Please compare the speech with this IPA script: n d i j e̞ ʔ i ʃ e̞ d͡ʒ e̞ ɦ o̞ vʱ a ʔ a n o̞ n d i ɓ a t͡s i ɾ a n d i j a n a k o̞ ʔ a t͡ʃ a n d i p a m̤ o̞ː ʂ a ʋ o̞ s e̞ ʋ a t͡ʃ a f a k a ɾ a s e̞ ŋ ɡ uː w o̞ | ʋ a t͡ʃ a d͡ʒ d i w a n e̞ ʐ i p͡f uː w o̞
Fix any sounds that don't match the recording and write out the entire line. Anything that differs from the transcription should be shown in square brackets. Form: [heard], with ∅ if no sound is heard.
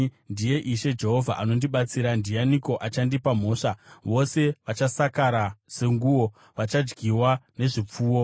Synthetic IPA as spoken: n d i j e̞ ʔ i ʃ e̞ d͡ʒ e̞ ɦ o̞ vʱ a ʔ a n o̞ n d i ɓ a t͡s i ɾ a n d i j a n [i] k o̞ ʔ a t͡ʃ a n d i p a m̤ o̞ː ʂ a ʋ o̞ s e̞ ʋ a t͡ʃ a [s] a k a ɾ a s e̞ ŋ ɡ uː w o̞ | ʋ a t͡ʃ a d͡ʒ [ɡ] i w a n e̞ ʐ i p͡f uː w o̞